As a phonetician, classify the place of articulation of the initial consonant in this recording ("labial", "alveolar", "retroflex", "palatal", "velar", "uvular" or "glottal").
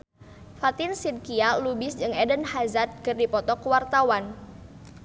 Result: labial